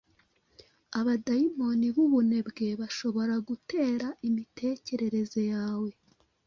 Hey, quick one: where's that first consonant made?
lips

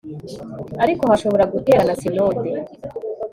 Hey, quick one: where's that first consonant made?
tongue tip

